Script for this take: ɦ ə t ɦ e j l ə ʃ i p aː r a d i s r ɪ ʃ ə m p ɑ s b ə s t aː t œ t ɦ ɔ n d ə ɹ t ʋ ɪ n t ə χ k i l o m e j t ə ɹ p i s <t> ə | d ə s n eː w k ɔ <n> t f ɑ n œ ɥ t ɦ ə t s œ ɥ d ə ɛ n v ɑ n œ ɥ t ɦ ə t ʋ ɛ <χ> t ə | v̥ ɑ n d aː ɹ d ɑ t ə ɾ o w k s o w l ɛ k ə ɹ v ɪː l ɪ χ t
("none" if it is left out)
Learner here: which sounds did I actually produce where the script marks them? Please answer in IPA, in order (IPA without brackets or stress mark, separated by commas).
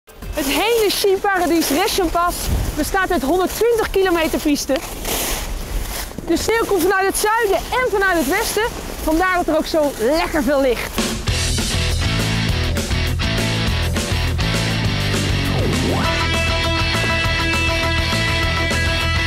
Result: t, m, s